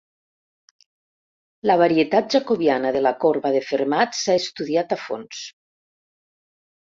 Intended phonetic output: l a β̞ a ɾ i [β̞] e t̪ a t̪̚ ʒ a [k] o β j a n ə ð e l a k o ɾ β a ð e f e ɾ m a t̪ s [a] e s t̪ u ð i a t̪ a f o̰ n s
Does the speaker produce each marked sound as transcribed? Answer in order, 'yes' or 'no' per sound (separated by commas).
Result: no, yes, yes